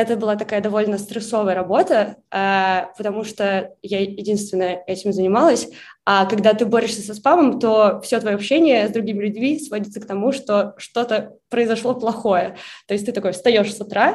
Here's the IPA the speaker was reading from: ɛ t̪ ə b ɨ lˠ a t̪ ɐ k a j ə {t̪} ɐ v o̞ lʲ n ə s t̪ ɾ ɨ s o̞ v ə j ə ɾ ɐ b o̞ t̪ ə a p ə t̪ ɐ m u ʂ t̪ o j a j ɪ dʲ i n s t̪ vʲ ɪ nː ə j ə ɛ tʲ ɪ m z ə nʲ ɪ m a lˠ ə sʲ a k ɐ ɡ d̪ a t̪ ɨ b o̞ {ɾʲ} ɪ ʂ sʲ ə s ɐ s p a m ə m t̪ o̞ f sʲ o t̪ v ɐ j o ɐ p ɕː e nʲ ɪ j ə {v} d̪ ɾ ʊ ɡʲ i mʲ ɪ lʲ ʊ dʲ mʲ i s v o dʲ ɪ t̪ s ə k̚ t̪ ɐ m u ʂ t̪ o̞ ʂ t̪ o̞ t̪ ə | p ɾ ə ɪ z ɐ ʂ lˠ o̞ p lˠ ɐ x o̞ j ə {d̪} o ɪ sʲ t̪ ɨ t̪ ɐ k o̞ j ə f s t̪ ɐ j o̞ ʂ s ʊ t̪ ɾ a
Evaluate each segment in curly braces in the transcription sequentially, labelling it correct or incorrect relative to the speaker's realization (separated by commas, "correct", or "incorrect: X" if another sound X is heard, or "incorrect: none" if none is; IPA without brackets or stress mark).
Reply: incorrect: d̪, correct, incorrect: z, incorrect: t̪